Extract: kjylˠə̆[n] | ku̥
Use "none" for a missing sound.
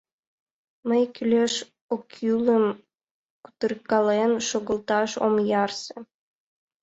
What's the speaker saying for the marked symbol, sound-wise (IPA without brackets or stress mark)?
m